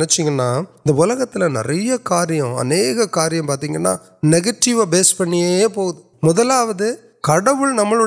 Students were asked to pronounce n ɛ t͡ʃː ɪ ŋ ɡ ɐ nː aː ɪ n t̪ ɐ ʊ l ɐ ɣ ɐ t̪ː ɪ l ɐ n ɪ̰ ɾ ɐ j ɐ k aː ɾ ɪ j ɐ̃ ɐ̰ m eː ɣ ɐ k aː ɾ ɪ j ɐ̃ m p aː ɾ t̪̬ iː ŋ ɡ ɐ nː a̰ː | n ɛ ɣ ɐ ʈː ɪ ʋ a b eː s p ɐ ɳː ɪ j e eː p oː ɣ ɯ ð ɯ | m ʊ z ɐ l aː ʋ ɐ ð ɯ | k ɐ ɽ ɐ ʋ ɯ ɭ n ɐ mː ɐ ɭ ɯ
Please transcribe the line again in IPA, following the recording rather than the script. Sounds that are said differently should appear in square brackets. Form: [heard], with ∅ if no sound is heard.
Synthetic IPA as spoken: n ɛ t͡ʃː ɪ ŋ ɡ ɐ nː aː ɪ n [d̪] ɐ ʊ l ɐ ɣ ɐ t̪ː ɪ l ɐ n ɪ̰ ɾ ɐ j ɐ k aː ɾ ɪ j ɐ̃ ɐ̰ [n] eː ɣ ɐ k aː ɾ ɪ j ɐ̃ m p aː ɾ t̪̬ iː ŋ ɡ ɐ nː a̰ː | n ɛ ɣ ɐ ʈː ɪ ʋ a b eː s p ɐ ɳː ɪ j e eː p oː ɣ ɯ ð ɯ | m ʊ [ð] ɐ l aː ʋ ɐ ð ɯ | k ɐ ɽ ɐ ʋ ɯ ɭ n ɐ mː ɐ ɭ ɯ